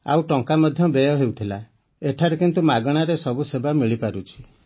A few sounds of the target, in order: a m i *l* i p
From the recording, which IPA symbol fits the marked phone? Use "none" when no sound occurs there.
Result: ɭ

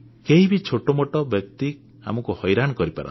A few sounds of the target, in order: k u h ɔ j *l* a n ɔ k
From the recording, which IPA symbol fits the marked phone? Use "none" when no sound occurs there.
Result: ɾ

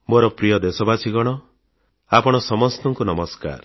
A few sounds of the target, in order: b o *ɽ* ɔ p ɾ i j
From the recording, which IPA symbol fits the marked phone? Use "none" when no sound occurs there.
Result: ɾ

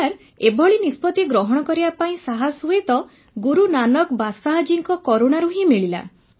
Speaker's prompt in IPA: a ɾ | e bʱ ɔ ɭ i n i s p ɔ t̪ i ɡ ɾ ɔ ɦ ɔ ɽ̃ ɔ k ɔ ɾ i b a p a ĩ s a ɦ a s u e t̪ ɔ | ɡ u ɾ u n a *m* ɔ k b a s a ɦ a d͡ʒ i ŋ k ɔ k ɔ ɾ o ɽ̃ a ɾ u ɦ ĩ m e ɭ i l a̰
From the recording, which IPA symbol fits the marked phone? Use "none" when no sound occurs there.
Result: n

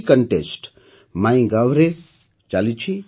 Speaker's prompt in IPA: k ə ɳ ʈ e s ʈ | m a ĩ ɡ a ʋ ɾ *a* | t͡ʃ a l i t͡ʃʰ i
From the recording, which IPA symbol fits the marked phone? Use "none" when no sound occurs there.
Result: e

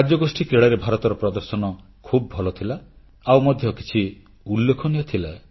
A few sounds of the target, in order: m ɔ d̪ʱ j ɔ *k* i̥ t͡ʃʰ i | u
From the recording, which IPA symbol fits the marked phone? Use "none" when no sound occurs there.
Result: k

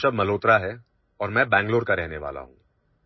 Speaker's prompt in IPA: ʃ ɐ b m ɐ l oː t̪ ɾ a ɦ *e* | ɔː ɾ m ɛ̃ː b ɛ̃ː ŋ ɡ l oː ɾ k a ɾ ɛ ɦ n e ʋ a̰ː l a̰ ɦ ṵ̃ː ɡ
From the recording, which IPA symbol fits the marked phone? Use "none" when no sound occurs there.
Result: ɛ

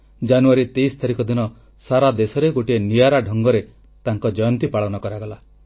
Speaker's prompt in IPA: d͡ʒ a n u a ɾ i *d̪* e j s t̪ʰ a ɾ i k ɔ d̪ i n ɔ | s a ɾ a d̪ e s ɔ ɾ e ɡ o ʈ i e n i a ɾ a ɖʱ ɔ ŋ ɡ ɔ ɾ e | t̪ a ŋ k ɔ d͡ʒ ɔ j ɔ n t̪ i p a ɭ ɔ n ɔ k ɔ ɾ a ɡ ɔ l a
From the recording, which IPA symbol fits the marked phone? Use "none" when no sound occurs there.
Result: t̪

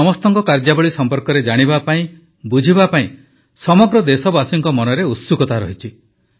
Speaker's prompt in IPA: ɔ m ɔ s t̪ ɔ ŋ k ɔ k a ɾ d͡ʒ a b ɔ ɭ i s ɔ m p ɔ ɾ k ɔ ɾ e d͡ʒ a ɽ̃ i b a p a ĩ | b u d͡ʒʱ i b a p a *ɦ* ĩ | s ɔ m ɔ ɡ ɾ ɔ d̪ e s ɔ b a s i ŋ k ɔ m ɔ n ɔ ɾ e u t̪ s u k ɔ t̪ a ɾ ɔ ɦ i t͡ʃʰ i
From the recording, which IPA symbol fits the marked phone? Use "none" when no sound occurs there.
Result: none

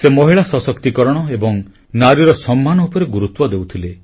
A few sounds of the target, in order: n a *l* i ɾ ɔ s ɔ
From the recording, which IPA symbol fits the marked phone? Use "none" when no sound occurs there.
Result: ɾ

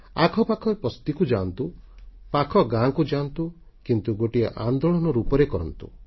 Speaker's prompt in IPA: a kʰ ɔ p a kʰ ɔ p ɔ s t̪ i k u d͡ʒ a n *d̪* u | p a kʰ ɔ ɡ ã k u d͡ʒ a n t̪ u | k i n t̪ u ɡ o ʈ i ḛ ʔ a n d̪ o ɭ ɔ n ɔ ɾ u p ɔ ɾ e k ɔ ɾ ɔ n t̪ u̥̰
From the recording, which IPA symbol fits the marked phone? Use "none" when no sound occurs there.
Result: t̪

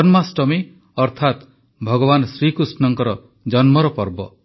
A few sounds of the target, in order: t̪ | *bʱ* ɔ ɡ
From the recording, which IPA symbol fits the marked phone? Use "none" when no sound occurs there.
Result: bʱ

